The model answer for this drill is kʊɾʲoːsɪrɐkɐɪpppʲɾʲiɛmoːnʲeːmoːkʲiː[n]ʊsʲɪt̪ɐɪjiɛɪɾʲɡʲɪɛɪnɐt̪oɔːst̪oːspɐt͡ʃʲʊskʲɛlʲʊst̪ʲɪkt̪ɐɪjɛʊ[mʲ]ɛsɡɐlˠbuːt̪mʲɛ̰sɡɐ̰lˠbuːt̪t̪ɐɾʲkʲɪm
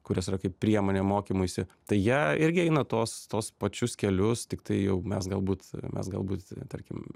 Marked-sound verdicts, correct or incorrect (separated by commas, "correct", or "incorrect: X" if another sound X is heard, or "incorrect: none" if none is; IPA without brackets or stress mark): incorrect: m, correct